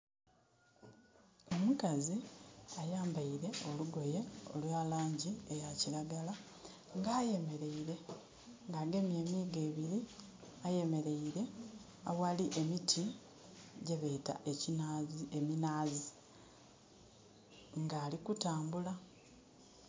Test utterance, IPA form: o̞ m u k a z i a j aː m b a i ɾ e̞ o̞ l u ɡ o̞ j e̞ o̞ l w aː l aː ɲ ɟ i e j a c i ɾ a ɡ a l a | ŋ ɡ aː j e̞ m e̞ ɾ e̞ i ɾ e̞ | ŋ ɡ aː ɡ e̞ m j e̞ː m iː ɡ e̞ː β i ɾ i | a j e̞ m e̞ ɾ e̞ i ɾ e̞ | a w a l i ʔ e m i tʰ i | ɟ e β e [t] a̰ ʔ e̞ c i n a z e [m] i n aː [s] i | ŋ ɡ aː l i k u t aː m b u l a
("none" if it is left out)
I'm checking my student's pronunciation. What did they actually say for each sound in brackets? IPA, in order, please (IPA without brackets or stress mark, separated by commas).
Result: t, m, z